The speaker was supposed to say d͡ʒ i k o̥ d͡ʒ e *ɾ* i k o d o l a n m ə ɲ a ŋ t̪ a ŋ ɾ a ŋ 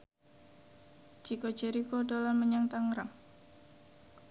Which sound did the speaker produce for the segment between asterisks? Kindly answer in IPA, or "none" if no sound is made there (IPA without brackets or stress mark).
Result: ɾ